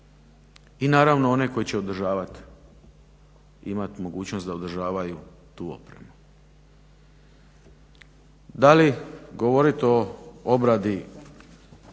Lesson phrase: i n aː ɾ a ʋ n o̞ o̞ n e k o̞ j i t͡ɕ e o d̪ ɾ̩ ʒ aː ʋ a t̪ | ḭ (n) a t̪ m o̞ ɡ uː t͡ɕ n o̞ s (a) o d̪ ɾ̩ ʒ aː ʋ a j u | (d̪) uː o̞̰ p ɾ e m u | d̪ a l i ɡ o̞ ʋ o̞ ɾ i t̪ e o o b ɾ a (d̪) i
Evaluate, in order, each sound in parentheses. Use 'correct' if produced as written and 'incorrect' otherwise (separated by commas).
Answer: incorrect, correct, incorrect, correct